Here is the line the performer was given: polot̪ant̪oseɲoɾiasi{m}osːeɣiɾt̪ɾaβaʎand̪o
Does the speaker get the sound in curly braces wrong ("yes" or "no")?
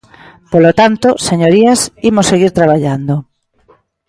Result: no